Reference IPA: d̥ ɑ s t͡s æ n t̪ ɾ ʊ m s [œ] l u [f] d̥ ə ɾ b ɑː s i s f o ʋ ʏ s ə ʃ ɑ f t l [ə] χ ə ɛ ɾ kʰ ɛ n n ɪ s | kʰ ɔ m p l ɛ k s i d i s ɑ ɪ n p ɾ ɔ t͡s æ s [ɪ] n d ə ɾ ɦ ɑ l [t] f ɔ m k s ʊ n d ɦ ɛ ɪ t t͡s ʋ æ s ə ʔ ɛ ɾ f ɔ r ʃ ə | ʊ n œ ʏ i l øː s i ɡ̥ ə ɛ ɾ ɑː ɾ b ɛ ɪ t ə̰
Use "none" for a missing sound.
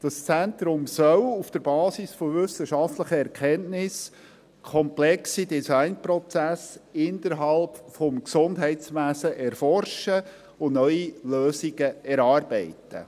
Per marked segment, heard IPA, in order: œ, f, ə, ɪ, p

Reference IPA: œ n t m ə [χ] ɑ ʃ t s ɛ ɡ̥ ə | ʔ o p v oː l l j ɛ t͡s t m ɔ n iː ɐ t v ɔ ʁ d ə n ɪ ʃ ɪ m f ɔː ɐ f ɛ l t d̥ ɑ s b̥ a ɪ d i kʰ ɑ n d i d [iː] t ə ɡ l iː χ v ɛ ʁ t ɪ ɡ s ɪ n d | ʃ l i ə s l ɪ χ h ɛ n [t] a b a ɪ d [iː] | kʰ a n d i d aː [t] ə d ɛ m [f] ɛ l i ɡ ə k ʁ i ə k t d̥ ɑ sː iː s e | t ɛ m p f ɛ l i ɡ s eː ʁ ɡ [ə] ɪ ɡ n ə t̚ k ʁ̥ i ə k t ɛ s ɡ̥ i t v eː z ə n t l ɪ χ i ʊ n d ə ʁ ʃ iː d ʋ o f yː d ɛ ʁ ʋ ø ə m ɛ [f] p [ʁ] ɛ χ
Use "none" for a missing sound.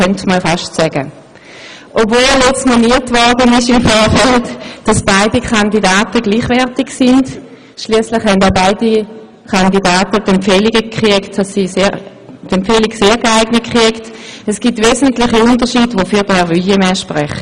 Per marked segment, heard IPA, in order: f, aː, d, i, t, f, a, ʃ, ʁ

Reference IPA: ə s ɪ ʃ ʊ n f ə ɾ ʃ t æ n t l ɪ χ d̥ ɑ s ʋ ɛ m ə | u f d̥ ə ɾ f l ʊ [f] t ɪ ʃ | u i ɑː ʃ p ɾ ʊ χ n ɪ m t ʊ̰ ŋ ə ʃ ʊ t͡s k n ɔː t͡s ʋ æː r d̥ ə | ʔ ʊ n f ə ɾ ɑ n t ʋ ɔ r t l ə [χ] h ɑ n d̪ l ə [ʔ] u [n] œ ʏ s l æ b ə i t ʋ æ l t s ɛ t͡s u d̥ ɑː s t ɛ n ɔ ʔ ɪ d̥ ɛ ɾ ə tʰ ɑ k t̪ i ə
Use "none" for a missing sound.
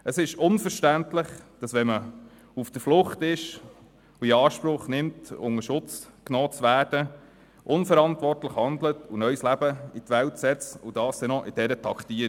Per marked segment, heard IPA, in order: χ, χ, t, n

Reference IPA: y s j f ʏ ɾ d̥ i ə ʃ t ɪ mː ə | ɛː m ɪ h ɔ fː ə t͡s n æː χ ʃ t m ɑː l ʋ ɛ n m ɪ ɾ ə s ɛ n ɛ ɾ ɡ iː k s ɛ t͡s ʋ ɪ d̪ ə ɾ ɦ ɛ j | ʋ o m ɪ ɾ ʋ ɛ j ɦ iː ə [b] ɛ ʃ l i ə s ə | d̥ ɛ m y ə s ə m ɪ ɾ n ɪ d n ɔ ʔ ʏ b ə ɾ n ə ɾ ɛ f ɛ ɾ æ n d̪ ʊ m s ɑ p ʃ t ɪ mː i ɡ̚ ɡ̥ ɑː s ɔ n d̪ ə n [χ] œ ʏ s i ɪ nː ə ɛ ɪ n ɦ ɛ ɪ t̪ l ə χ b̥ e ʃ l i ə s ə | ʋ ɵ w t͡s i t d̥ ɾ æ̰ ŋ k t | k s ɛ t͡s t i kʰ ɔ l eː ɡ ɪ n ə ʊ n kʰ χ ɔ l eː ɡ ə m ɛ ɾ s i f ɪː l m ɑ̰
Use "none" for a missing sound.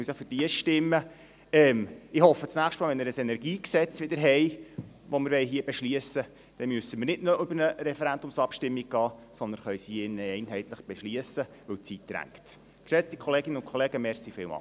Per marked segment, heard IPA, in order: b, χ

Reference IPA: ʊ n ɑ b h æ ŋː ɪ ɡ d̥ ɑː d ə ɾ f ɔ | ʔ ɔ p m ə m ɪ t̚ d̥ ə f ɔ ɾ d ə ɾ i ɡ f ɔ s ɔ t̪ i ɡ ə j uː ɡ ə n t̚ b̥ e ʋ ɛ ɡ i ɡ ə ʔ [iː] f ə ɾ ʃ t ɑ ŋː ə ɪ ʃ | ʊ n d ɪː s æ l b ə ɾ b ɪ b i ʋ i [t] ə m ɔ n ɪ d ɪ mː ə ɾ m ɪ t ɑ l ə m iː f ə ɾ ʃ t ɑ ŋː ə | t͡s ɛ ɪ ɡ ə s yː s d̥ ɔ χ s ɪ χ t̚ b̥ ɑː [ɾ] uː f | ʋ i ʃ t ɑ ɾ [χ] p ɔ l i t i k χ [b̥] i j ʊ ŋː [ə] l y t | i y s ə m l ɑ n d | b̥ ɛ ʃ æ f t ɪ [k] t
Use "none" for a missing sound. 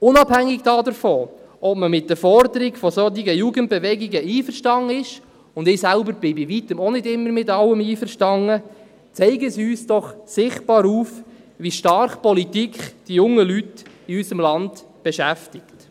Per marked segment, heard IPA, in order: iː, t, ɾ, χ, d̥, ə, k

